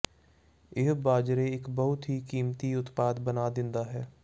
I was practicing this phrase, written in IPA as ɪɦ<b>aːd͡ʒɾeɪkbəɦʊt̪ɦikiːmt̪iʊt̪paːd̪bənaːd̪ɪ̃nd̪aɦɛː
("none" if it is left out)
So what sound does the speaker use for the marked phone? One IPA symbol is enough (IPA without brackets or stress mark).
b